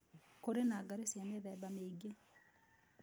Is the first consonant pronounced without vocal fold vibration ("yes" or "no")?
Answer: yes